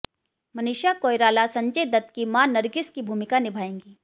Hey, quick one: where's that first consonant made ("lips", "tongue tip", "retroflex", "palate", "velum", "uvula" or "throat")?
lips